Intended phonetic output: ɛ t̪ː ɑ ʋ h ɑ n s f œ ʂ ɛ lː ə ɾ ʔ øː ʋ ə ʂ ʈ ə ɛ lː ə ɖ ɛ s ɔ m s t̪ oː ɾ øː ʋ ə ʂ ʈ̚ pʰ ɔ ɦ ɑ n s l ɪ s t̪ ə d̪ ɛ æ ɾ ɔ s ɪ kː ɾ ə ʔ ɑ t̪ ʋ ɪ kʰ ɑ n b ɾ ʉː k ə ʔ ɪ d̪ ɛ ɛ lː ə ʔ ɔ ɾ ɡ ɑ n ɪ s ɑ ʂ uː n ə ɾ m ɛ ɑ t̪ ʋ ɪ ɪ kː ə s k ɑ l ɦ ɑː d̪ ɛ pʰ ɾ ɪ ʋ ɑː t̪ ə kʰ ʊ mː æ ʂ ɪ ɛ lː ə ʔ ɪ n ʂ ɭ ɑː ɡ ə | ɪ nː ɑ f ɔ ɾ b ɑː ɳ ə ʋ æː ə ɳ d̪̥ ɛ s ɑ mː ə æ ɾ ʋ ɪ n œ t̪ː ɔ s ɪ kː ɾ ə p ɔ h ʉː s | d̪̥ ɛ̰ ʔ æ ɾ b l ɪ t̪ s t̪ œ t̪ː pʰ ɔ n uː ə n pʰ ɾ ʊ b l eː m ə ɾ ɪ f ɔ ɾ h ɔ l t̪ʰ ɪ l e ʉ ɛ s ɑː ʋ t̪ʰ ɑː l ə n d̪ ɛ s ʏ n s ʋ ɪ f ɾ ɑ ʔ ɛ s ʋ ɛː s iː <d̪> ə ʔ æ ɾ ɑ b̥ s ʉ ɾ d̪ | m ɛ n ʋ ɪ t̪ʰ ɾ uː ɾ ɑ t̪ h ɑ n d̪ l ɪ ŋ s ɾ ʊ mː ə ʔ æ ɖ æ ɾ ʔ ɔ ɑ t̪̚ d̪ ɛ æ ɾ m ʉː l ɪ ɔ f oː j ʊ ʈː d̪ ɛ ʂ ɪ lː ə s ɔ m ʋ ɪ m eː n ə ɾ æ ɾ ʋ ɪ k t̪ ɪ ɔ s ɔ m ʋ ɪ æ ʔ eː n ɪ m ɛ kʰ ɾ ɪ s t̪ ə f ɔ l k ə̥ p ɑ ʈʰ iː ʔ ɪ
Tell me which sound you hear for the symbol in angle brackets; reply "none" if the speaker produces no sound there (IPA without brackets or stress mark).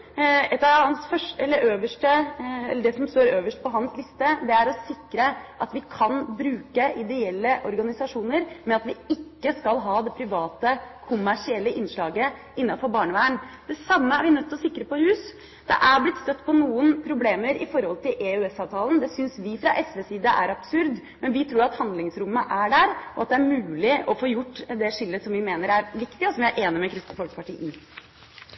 d̪